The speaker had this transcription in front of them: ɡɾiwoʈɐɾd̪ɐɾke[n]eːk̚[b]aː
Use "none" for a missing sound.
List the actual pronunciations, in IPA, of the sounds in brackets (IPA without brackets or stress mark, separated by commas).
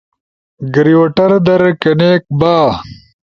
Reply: n, b